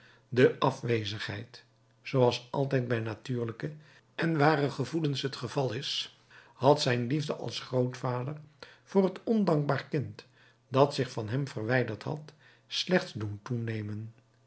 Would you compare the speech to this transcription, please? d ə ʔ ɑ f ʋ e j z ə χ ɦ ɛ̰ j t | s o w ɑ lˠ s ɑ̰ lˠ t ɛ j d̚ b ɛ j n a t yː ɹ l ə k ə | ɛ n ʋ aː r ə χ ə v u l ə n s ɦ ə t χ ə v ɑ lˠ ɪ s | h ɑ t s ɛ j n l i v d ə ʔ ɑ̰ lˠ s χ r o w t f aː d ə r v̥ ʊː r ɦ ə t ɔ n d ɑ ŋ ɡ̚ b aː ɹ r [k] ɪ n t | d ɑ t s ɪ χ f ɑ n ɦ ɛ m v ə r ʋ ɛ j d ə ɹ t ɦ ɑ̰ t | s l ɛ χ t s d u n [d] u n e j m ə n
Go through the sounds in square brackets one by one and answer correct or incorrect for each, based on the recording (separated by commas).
correct, incorrect